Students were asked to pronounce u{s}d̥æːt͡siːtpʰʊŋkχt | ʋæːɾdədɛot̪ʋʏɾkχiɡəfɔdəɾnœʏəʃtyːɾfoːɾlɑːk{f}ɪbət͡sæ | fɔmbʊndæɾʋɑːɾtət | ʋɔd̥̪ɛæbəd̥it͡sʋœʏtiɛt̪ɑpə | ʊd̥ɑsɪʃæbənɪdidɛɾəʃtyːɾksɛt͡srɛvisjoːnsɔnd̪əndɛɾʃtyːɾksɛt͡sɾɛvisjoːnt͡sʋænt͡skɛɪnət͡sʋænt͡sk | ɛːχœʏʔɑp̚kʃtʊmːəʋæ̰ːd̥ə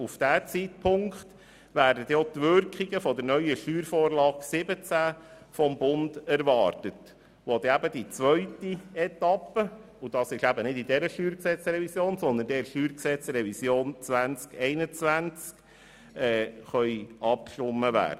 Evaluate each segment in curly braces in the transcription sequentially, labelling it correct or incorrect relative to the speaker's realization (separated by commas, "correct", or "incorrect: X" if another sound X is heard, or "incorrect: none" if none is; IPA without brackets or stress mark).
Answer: incorrect: f, incorrect: s